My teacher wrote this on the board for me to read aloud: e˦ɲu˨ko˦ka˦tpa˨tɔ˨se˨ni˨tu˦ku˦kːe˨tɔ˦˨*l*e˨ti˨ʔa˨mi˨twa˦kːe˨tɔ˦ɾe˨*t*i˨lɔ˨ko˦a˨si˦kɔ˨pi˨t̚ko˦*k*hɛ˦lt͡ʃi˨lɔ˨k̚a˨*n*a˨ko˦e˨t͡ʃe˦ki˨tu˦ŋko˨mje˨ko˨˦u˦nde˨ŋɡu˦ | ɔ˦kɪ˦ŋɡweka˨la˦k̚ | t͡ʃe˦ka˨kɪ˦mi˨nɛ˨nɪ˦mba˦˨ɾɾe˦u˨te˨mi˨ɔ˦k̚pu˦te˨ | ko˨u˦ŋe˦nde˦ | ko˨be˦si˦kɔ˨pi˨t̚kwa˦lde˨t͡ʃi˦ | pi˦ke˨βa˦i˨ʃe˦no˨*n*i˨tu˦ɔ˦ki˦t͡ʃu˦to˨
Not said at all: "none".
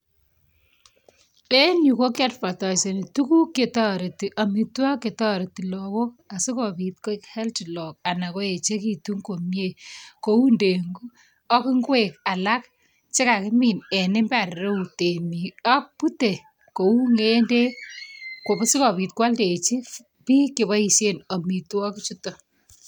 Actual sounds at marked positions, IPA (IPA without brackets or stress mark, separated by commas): ɾ, t, k, n, m